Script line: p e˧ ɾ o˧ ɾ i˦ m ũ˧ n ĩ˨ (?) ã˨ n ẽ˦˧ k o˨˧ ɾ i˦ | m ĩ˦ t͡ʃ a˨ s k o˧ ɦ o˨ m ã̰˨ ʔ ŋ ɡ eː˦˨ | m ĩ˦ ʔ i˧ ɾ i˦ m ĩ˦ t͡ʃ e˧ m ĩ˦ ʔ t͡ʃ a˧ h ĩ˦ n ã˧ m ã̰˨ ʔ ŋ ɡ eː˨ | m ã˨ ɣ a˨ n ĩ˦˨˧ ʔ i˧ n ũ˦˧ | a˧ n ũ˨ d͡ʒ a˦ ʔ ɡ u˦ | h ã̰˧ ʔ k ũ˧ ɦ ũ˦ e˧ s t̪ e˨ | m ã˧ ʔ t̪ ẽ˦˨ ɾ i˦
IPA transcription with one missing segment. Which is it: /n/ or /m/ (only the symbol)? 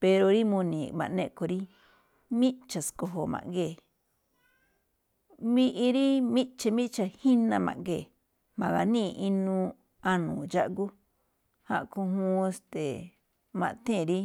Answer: m